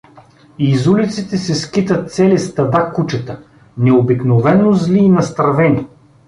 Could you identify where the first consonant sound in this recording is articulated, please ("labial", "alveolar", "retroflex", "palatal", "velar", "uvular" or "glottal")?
alveolar